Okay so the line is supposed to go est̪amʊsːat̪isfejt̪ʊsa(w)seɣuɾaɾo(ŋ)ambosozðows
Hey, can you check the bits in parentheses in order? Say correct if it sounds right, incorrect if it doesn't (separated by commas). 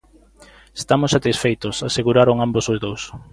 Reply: incorrect, correct